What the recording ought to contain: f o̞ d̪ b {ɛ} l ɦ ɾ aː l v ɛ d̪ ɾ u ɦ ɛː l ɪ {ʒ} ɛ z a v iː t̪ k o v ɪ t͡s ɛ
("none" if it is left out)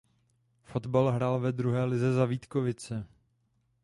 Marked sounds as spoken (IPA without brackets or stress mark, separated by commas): a, z